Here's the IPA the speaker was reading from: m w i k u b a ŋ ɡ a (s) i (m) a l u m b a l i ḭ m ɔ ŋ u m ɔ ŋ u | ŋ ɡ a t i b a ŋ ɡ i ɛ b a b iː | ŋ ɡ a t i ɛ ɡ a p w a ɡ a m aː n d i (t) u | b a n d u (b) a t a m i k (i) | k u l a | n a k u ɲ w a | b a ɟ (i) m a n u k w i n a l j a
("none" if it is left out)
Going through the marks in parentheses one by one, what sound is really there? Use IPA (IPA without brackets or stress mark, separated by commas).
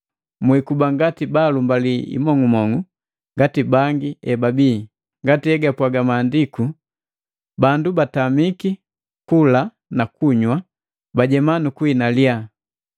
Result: t, b, k, b, i, ɛ